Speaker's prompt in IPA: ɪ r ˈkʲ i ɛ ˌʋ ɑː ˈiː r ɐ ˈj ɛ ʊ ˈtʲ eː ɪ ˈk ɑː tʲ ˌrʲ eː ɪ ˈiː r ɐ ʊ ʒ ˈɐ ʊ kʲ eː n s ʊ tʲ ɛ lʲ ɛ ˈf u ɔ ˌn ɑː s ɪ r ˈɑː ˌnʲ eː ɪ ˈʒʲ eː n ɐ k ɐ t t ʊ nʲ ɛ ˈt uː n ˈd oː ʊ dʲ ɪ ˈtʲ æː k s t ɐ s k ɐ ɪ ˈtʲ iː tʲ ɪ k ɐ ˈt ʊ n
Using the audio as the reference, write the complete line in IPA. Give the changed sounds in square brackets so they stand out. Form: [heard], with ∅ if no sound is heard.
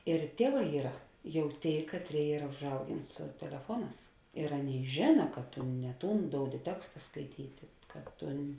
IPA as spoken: ɪ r [ˈtʲ] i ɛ ˌʋ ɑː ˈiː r ɐ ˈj ɛ ʊ ˈtʲ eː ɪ ˈk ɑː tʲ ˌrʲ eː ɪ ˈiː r ɐ ʊ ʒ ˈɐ ʊ [ɡʲ] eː n s ʊ tʲ ɛ lʲ ɛ ˈf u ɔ ˌn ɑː s ɪ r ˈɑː ˌnʲ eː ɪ ˈʒʲ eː n ɐ k ɐ t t ʊ nʲ ɛ ˈt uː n ˈd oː ʊ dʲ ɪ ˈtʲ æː k s t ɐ s k ɐ ɪ ˈtʲ iː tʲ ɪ k ɐ ˈt ʊ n